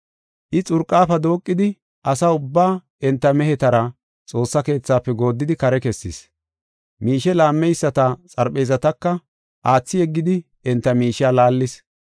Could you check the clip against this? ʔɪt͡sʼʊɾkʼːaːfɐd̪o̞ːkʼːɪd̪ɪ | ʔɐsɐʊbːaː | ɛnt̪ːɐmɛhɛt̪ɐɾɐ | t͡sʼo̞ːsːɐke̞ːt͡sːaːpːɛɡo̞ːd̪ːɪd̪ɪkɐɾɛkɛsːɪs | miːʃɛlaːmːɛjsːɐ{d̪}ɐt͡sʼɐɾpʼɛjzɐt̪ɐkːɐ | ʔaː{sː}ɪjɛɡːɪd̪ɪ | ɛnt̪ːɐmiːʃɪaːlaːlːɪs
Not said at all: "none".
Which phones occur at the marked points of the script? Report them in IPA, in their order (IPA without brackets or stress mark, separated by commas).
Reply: t̪, t͡sː